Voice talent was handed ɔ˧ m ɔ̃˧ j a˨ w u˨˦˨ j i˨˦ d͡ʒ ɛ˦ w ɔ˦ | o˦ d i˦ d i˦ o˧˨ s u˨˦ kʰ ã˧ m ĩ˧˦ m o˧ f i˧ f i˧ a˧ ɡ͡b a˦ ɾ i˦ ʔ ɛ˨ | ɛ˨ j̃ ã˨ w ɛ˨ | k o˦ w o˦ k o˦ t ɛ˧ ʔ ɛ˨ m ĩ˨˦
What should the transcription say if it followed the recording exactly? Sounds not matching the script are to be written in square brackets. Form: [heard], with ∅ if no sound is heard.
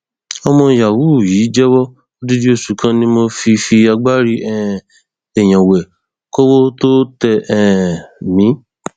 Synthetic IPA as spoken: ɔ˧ m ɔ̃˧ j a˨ w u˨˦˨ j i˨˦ d͡ʒ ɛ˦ w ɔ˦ | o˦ d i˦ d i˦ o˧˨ s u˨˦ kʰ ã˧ [n] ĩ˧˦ m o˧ f i˧ f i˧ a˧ ɡ͡b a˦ ɾ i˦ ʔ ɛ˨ | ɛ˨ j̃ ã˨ w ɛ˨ | k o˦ w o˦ [t] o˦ t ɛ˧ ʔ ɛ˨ m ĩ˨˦